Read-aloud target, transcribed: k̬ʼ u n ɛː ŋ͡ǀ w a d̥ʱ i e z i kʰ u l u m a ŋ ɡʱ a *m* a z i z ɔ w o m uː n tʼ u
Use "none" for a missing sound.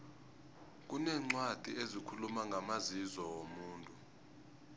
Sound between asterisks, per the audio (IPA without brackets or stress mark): m